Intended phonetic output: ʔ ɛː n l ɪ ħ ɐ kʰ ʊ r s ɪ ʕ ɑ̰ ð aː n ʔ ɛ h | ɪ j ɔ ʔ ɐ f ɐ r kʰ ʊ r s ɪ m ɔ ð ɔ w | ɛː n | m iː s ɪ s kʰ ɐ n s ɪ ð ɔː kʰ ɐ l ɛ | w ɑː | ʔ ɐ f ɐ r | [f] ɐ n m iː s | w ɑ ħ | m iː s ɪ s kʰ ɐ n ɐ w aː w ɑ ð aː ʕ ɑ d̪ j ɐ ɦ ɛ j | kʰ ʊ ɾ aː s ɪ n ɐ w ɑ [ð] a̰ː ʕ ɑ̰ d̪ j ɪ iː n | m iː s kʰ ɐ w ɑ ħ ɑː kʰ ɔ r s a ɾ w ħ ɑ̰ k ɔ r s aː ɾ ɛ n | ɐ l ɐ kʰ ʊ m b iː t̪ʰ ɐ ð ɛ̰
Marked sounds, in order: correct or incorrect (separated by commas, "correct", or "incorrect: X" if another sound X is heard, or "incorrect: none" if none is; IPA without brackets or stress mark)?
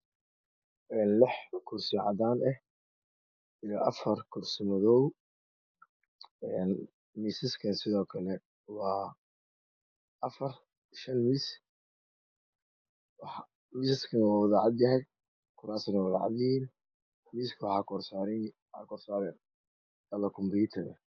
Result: incorrect: ʃ, correct